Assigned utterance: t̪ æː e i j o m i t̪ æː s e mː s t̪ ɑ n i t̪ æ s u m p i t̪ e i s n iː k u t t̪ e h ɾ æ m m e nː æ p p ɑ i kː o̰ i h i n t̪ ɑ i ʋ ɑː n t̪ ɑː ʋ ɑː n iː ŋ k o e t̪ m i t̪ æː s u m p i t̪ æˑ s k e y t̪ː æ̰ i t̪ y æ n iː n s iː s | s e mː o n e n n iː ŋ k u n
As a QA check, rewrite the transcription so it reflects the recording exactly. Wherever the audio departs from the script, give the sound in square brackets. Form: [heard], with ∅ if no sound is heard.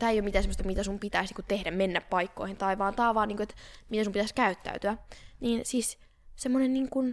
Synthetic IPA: t̪ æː e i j o m i t̪ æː s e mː s t̪ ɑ [m] i t̪ æ s u m p i t̪ [æ] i s n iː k u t t̪ e h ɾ æ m m e nː æ p p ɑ i kː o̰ i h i n t̪ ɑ i ʋ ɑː n t̪ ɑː ʋ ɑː n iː ŋ k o e t̪ m i t̪ [æ] s u m p i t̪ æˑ s k [æ] y t̪ː æ̰ [y] t̪ y æ n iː n s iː s | s e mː o n e n n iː ŋ k u n